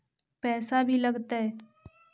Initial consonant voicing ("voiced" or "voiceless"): voiceless